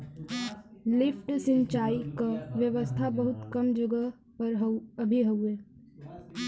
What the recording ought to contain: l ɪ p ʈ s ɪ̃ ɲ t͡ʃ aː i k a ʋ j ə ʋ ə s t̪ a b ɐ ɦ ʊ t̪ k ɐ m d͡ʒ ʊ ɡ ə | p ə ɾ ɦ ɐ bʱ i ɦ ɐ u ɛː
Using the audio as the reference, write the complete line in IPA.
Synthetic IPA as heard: l ɪ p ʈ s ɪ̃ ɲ t͡ʃ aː i k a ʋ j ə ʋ ə s t̪ʰ a b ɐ ɦ ʊ t̪ k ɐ m d͡ʒ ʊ ɡ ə | p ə ɾ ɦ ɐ bʱ i ɦ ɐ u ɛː